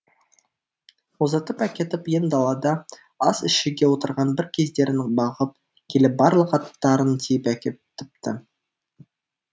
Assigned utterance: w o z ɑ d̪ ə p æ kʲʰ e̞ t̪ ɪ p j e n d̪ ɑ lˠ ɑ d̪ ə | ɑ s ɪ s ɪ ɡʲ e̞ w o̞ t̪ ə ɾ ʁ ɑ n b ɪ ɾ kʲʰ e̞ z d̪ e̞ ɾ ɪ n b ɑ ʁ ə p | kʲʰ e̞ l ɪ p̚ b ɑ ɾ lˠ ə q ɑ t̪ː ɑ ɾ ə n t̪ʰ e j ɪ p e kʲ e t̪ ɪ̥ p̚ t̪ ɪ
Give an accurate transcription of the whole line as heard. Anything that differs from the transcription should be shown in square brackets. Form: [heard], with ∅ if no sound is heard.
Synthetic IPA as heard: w o z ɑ [t̪] ə p æ [kʲ] e̞ t̪ ɪ p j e n d̪ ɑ lˠ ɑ d̪ [ɑ] | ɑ s ɪ [ʃ] ɪ ɡʲ e̞ w o̞ t̪ ə ɾ ʁ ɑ n b ɪ ɾ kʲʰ e̞ z d̪ e̞ ɾ ɪ n b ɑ ʁ ə p | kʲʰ e̞ l ɪ p̚ b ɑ ɾ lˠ ə q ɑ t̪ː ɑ ɾ ə n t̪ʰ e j ɪ p [æ] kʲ e t̪ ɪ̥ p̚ t̪ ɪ